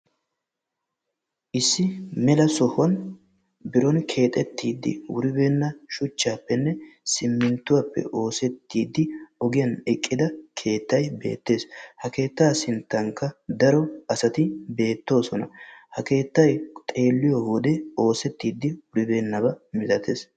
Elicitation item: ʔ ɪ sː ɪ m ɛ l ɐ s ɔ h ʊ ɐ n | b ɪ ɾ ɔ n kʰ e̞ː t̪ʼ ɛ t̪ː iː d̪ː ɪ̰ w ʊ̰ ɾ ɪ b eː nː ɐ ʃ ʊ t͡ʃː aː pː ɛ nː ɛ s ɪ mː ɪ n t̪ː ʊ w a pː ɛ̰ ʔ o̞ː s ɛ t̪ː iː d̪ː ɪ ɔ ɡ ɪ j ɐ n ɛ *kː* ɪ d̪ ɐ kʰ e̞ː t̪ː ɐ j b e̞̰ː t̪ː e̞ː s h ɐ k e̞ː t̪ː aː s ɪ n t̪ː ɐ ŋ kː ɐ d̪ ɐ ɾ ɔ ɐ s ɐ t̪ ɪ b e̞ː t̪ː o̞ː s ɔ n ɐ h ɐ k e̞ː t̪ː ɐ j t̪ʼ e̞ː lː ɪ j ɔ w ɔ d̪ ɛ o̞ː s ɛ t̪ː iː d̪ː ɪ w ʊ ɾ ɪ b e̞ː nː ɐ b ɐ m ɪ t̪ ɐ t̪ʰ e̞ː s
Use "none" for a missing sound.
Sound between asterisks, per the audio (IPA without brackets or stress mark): kʼː